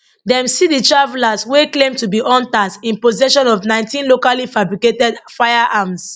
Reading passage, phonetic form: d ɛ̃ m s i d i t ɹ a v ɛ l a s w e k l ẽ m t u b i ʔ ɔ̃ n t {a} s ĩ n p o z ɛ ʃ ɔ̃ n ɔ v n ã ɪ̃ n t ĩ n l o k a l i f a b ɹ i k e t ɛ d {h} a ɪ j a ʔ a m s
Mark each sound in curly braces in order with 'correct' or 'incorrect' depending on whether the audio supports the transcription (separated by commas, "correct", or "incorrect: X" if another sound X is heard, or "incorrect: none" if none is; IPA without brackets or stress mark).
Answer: correct, incorrect: f